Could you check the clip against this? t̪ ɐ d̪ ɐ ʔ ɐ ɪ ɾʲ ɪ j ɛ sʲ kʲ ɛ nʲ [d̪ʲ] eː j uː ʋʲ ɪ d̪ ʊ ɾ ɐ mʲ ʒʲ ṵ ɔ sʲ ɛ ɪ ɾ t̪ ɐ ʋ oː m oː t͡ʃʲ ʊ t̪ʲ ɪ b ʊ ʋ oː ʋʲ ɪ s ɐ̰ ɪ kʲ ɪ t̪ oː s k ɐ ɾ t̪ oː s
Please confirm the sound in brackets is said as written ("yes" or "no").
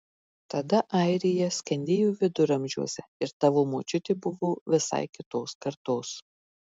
yes